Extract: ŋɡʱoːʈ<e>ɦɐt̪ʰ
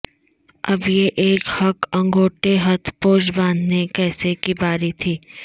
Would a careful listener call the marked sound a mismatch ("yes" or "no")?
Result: no